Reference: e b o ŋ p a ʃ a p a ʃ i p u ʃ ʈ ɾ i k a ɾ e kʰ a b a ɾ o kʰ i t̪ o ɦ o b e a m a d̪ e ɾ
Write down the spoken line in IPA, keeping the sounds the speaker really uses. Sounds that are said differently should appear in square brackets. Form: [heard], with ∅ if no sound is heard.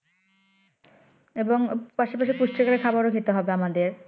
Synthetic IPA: e b o ŋ p a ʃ a p a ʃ i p u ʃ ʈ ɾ i k a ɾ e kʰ a b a ɾ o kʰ i t̪ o ɦ [ɔ] b e a m a d̪ e ɾ